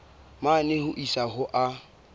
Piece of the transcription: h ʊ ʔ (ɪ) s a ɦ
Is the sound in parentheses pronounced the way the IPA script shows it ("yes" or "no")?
no